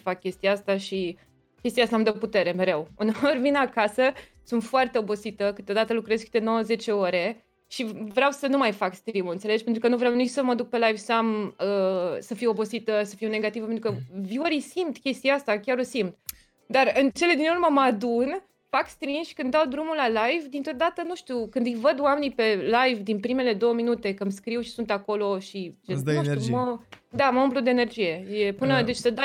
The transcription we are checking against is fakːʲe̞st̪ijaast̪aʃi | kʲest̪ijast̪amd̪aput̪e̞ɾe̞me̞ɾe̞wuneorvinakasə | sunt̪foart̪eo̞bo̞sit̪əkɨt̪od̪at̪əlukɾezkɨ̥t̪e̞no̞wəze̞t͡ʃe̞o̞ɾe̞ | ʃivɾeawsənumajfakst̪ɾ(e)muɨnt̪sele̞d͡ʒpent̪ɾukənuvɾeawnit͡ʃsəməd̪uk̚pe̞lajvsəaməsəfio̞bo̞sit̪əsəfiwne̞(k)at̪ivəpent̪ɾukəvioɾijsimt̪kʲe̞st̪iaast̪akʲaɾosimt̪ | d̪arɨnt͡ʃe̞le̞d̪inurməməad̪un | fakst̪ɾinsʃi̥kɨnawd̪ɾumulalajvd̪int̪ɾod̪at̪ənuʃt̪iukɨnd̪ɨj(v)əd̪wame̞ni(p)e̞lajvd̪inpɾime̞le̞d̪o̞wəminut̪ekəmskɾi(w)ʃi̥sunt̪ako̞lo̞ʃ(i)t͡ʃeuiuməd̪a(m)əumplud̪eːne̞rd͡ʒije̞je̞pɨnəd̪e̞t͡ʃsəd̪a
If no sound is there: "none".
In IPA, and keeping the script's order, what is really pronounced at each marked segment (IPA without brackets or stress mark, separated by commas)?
i, ɡ, v, p, w, i, m